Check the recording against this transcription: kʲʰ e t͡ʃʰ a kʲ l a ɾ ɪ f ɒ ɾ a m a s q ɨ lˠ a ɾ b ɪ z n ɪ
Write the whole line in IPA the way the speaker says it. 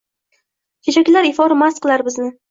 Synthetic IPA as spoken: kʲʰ e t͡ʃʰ a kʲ l a ɾ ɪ f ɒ ɾ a m a s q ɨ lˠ a ɾ b ɪ z n ɪ